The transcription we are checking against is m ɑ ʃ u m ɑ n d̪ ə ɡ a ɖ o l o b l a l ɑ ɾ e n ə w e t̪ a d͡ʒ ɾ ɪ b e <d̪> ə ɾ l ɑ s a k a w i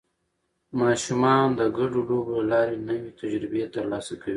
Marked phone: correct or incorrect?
incorrect